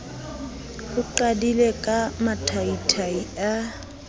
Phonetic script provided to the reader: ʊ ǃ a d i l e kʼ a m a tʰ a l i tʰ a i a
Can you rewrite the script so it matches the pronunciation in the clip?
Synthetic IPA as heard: ʊ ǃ a d i l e kʼ a m a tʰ a i tʰ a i a